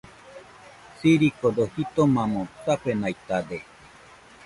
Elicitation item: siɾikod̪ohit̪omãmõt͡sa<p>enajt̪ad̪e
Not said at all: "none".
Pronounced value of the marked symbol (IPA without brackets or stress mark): p